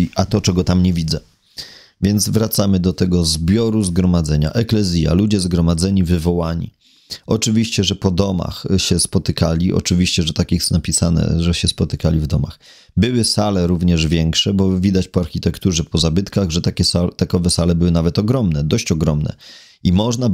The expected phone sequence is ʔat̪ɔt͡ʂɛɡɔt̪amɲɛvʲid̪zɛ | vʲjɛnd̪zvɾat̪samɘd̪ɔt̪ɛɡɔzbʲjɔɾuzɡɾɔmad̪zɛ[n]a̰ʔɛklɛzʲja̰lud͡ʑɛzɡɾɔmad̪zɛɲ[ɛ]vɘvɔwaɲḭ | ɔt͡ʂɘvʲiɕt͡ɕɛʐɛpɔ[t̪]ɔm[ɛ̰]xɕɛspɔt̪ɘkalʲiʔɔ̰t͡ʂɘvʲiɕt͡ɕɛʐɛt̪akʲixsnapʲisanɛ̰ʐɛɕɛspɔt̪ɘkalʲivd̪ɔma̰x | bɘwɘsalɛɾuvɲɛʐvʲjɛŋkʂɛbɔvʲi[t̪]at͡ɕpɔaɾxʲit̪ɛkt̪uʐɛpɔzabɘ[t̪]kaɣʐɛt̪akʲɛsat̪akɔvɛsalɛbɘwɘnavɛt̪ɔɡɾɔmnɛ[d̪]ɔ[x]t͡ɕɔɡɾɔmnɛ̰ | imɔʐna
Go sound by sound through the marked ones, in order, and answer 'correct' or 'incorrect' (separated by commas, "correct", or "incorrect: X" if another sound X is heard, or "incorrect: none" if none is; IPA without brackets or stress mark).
incorrect: ɲ, incorrect: i, incorrect: d̪, incorrect: a̰, incorrect: d̪, correct, correct, incorrect: ɕ